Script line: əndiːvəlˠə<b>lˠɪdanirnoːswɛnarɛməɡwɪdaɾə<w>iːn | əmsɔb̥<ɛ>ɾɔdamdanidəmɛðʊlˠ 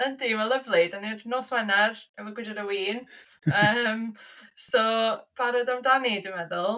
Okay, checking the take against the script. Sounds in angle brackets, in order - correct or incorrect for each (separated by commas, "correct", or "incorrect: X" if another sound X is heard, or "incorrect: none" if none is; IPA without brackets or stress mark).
incorrect: v, correct, incorrect: a